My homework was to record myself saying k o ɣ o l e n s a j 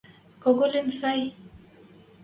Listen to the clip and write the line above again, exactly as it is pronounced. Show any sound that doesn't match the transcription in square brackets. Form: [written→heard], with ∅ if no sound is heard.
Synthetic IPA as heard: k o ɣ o l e n s a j